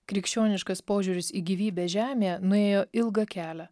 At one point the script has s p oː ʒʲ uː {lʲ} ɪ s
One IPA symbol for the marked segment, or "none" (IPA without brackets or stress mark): ɾʲ